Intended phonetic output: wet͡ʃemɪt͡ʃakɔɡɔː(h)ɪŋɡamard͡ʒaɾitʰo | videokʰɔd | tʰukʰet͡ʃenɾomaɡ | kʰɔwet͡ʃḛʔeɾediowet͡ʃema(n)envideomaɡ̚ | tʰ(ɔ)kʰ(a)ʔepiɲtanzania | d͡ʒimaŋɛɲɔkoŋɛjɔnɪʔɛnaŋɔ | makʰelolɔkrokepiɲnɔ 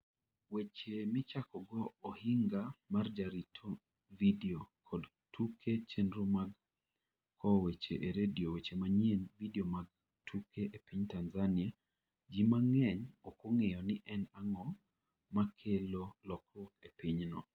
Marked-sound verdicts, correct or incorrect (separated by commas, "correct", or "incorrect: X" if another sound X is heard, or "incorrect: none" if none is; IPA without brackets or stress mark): correct, incorrect: ɲ, incorrect: u, incorrect: e